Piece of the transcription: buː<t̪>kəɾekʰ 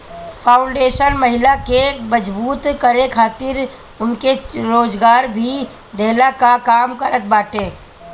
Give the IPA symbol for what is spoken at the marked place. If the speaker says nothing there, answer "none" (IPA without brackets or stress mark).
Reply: t̪